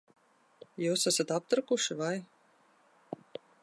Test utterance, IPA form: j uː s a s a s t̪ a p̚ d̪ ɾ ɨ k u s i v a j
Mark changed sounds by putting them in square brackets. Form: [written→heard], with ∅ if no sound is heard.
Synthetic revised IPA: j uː s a s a [s→∅] t̪ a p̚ [d̪→t̪] ɾ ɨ k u [s→ʃ] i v a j